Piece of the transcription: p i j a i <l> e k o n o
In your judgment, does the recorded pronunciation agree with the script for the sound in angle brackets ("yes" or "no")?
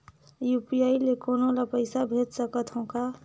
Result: yes